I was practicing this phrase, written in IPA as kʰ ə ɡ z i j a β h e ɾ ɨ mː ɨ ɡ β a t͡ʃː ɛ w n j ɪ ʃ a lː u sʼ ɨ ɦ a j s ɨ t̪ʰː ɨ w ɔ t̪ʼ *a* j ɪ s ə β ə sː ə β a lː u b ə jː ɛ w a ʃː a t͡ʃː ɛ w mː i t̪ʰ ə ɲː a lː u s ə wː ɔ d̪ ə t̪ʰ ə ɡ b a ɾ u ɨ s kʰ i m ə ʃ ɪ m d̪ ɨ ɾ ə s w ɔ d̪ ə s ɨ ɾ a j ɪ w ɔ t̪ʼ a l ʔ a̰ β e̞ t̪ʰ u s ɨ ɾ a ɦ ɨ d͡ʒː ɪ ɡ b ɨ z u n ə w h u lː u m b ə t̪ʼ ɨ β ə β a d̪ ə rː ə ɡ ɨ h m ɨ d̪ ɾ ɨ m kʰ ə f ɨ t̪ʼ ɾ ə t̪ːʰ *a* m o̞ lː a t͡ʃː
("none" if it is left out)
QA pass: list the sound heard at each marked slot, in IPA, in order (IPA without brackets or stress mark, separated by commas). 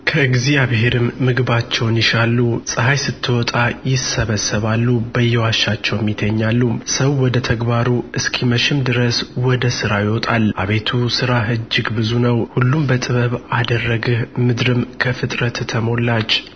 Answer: a, ə